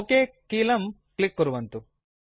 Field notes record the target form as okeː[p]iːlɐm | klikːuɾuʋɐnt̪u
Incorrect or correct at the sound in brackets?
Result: incorrect: k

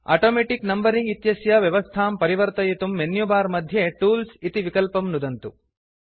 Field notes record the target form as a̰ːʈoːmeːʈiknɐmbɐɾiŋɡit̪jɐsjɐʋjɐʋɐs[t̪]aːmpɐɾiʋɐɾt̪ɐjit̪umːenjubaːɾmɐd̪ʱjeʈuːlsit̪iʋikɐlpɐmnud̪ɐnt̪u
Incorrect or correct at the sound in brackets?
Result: incorrect: t̪ʰ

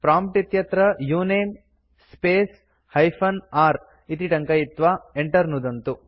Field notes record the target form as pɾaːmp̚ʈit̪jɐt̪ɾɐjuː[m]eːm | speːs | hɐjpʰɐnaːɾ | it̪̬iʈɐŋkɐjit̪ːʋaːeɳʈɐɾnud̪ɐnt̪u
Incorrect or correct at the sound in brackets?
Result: incorrect: n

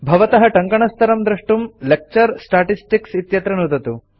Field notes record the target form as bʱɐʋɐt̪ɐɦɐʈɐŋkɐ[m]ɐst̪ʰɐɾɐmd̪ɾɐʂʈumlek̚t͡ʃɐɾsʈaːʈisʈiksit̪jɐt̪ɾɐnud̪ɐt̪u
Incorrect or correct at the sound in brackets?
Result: incorrect: ɳ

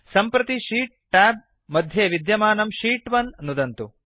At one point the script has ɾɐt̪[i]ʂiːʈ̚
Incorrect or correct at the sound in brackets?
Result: correct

